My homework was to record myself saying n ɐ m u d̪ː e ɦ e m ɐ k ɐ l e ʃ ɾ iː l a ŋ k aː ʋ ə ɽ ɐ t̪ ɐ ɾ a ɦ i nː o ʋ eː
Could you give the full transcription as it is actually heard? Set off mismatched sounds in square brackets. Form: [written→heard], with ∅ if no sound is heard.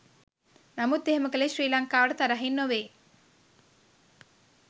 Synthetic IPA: n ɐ m u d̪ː e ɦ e m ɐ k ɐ l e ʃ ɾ iː l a ŋ k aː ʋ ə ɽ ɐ t̪ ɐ ɾ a ɦ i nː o ʋ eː